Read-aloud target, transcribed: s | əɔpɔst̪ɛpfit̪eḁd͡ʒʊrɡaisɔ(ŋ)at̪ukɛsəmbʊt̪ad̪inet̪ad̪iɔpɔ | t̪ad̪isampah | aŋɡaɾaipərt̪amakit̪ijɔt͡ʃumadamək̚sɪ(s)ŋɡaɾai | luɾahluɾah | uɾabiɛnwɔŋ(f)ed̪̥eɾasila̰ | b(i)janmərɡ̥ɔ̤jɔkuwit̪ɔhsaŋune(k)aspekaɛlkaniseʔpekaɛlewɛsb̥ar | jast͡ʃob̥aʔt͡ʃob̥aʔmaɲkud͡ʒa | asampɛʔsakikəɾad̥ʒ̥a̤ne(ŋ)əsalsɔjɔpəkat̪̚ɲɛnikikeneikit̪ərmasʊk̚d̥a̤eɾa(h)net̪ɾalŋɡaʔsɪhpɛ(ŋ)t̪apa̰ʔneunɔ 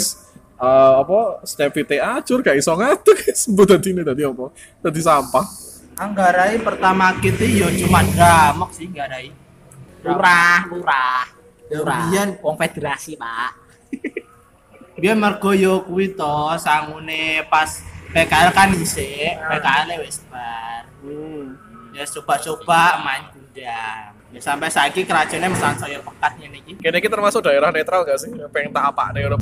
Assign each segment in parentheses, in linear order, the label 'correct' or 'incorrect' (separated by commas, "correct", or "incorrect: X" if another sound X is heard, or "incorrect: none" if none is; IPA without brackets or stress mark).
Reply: correct, incorrect: h, correct, correct, incorrect: p, incorrect: m, correct, correct